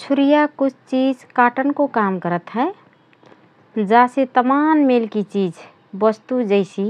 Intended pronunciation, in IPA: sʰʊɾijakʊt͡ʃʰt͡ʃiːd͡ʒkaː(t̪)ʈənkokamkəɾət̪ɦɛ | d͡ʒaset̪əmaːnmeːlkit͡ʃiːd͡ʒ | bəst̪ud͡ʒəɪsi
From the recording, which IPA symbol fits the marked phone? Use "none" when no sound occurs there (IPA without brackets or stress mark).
none